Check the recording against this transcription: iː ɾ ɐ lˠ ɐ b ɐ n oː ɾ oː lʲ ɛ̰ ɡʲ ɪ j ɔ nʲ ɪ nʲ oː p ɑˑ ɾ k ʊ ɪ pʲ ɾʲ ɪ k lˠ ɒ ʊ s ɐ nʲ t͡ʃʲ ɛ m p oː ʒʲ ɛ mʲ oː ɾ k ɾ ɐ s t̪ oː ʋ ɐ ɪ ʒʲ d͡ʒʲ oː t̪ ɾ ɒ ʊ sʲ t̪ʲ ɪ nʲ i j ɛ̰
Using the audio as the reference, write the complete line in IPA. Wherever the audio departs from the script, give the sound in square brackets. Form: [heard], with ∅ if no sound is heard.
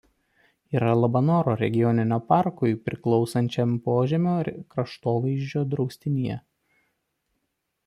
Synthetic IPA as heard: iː ɾ ɐ lˠ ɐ b ɐ n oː ɾ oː [ɾʲ] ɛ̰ ɡʲ ɪ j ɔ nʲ ɪ nʲ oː p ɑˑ ɾ k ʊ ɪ pʲ ɾʲ ɪ k lˠ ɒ ʊ s ɐ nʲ t͡ʃʲ ɛ m p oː ʒʲ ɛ mʲ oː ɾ k ɾ ɐ [ʃ] t̪ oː ʋ ɐ ɪ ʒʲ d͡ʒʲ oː [d̪] ɾ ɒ ʊ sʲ t̪ʲ ɪ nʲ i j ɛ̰

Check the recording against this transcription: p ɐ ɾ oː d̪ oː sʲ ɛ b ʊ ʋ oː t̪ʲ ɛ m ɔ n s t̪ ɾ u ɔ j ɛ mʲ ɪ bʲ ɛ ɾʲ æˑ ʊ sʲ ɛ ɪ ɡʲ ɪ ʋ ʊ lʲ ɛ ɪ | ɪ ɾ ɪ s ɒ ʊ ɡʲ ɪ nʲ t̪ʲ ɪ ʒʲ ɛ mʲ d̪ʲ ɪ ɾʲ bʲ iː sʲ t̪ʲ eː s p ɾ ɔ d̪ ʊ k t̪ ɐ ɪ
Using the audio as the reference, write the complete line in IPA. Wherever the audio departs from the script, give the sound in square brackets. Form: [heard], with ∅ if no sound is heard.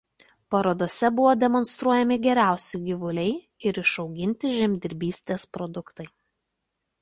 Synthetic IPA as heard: p ɐ ɾ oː d̪ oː sʲ ɛ b ʊ ʋ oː [d̪ʲ] ɛ m ɔ n s t̪ ɾ u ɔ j ɛ mʲ ɪ [ɡʲ] ɛ ɾʲ æˑ ʊ sʲ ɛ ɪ ɡʲ ɪ ʋ ʊ lʲ ɛ ɪ | ɪ ɾ ɪ [ʃ] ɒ ʊ ɡʲ ɪ nʲ t̪ʲ ɪ ʒʲ ɛ mʲ d̪ʲ ɪ ɾʲ bʲ iː sʲ t̪ʲ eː s p ɾ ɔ d̪ ʊ k t̪ ɐ ɪ

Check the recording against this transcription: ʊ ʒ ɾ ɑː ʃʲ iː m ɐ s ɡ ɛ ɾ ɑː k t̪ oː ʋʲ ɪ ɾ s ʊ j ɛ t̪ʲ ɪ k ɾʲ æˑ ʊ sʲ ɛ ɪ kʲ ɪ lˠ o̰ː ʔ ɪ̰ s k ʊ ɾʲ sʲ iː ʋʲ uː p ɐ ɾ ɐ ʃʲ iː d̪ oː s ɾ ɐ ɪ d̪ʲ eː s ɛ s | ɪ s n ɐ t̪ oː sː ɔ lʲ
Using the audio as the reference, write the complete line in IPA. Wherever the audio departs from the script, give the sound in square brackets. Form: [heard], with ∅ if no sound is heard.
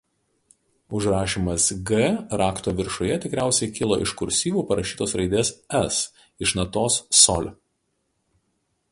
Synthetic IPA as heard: ʊ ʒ ɾ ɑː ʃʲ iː m ɐ s ɡ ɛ ɾ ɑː k t̪ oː ʋʲ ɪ ɾ [ʃ] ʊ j ɛ t̪ʲ ɪ k ɾʲ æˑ ʊ sʲ ɛ ɪ kʲ ɪ lˠ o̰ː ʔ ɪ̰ [ʃ] k ʊ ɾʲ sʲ iː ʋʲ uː p ɐ ɾ ɐ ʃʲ iː [t̪] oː s ɾ ɐ ɪ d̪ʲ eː s ɛ s | ɪ [ʃ] n ɐ t̪ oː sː ɔ lʲ

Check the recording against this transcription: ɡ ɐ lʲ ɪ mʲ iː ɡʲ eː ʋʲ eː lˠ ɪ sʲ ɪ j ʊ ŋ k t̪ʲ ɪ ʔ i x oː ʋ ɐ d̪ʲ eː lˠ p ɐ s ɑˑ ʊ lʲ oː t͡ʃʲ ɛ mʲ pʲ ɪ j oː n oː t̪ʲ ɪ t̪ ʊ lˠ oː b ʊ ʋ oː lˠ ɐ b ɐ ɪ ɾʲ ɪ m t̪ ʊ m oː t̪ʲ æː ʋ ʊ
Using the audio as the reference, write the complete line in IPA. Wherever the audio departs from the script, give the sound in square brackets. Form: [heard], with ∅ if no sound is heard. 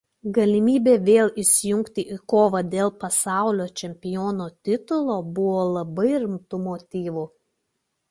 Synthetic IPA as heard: ɡ ɐ lʲ ɪ mʲ iː [bʲ] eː ʋʲ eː lˠ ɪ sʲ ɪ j ʊ ŋ k t̪ʲ ɪ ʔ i [k] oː ʋ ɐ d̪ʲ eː lˠ p ɐ s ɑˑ ʊ lʲ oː t͡ʃʲ ɛ mʲ pʲ ɪ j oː n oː t̪ʲ ɪ t̪ ʊ lˠ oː b ʊ ʋ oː lˠ ɐ b ɐ ɪ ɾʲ ɪ m t̪ ʊ m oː t̪ʲ [iː] ʋ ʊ

